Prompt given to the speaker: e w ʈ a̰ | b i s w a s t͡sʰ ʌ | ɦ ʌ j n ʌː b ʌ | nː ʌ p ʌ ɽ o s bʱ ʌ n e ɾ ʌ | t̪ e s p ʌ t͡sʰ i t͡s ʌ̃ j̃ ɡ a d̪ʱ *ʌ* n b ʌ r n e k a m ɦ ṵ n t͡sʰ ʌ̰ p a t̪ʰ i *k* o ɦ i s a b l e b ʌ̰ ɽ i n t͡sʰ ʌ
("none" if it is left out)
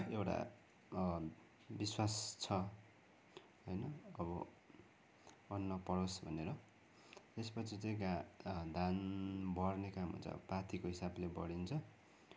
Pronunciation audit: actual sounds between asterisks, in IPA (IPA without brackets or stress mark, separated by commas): a, k